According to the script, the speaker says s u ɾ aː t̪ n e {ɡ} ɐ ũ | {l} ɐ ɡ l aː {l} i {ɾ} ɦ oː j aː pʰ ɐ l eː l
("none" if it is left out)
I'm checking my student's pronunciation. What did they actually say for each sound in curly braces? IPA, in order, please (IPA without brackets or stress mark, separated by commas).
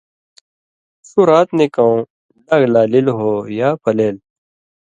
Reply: k, l, l, l